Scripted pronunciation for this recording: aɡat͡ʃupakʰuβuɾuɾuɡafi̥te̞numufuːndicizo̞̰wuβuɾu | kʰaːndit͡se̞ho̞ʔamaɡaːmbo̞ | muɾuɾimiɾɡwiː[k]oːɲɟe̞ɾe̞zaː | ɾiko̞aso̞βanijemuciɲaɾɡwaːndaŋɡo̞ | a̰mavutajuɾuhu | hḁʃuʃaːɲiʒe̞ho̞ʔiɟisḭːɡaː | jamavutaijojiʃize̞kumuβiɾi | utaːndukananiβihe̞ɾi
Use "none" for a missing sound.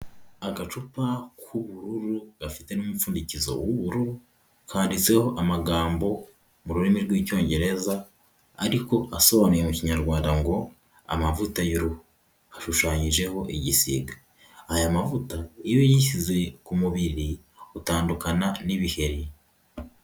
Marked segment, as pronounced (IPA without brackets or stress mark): c